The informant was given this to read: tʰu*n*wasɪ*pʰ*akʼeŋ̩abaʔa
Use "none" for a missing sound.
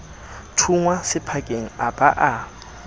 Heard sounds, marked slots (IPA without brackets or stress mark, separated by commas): ŋ, pʰ